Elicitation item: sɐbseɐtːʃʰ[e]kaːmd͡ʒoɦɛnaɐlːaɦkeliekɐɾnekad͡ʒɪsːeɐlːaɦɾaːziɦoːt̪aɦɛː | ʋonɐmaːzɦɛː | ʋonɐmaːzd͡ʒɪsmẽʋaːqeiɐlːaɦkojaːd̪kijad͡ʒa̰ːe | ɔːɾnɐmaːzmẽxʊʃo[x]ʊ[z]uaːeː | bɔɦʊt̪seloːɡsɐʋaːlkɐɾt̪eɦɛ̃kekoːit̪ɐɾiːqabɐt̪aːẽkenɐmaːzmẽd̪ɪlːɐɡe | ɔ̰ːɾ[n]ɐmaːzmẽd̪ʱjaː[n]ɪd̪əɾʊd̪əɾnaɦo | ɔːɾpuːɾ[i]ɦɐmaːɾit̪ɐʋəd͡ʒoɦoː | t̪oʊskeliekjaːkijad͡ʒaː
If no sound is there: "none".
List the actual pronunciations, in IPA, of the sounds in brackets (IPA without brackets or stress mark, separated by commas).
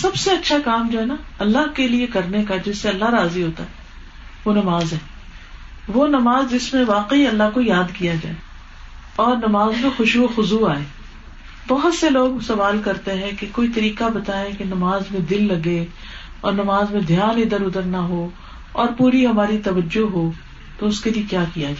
a, x, z, n, n, i